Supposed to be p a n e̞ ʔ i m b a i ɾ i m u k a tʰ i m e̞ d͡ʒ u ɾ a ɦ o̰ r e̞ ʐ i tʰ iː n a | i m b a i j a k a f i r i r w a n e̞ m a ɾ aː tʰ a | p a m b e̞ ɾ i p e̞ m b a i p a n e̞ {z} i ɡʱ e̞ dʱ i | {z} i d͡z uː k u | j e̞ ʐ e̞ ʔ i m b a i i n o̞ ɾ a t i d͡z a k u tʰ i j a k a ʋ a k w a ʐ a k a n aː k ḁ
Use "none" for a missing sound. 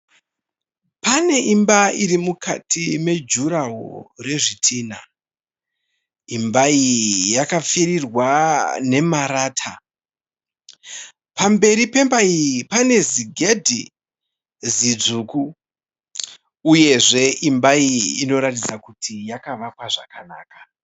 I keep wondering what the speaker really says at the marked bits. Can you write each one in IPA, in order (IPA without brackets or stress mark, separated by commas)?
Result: z, z